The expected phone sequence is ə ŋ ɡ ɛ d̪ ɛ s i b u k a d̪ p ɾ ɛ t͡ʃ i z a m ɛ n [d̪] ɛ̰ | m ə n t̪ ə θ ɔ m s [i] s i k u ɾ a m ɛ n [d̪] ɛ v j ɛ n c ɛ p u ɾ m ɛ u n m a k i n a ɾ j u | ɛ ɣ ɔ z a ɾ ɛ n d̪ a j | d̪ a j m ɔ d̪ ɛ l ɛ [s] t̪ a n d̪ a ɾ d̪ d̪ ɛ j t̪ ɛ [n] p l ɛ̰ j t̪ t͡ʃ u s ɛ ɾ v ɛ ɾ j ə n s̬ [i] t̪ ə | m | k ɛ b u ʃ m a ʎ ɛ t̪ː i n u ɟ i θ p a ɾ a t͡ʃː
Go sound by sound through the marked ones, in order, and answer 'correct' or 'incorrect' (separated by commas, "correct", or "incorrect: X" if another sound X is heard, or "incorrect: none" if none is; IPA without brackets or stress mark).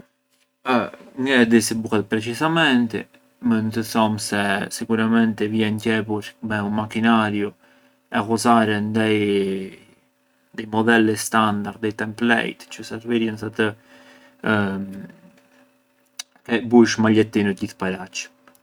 incorrect: t̪, incorrect: ɛ, incorrect: t̪, correct, incorrect: m, incorrect: a